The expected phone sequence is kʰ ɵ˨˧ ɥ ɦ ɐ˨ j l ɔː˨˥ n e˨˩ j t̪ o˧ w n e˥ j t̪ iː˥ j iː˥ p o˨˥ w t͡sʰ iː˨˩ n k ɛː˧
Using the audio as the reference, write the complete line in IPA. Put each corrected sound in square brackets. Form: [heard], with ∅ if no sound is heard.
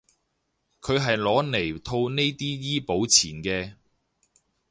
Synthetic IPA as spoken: kʰ ɵ˨˧ ɥ ɦ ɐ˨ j l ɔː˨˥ n e˨˩ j [t̪ʰ] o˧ w n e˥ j t̪ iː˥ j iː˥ p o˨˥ w t͡sʰ iː˨˩ n k ɛː˧